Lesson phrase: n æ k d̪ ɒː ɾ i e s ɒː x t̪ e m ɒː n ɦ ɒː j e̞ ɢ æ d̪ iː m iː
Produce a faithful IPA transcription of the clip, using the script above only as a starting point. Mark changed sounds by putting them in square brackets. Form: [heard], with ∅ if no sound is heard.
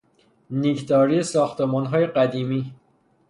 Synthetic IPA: n [i] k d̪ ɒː ɾ i e s ɒː x t̪ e m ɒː n ɦ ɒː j e̞ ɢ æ d̪ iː m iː